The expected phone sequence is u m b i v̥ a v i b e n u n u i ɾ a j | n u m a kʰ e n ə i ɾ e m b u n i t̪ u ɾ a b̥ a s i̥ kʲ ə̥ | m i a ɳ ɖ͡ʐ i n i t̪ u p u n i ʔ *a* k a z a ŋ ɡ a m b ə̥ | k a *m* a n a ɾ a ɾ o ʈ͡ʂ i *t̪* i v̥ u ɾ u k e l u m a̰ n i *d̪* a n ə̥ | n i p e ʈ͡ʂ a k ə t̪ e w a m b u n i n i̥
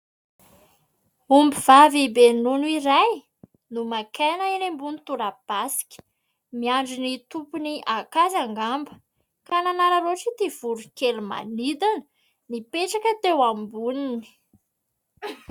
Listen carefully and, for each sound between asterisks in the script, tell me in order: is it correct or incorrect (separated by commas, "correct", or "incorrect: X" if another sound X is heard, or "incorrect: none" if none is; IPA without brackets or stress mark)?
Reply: correct, incorrect: n, correct, correct